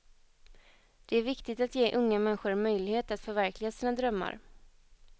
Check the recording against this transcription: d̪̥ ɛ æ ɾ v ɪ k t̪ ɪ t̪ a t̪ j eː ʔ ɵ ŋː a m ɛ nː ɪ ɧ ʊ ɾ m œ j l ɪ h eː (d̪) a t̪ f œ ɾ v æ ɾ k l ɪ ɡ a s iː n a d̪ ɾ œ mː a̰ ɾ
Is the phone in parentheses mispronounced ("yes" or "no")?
yes